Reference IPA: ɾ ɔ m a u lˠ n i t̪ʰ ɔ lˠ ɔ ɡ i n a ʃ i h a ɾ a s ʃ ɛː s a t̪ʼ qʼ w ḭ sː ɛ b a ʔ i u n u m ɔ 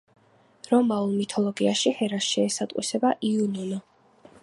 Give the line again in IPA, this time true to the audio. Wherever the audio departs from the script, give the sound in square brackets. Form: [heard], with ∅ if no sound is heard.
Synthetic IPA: ɾ ɔ m a u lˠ [m] i t̪ʰ ɔ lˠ ɔ ɡ i [∅] a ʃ i h [ɛ] ɾ a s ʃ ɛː s a t̪ʼ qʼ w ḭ [s] ɛ b a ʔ i u n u [n] ɔ